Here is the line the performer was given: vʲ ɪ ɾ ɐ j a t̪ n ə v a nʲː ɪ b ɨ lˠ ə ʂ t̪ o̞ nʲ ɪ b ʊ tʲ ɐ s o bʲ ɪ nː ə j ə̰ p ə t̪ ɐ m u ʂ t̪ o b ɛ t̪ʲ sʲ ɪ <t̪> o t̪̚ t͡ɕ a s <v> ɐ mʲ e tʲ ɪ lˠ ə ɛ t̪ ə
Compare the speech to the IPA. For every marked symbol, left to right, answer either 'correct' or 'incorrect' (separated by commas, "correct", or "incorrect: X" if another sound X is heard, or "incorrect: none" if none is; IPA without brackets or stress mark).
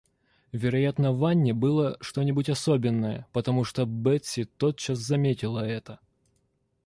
correct, incorrect: z